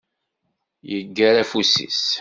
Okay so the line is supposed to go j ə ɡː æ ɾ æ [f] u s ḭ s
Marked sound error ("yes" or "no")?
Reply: no